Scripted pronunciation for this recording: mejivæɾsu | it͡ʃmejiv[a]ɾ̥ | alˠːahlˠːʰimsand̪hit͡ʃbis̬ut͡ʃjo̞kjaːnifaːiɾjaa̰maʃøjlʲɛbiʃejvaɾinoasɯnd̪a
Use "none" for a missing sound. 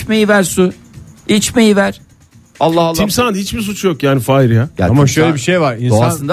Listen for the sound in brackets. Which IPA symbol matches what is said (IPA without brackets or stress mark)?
æ